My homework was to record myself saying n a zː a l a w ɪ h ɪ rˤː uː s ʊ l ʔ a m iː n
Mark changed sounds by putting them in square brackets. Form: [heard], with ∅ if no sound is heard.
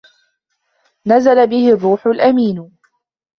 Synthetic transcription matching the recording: n a [z] a l a [b] ɪ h ɪ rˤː uː [ħ] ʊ l ʔ a m iː n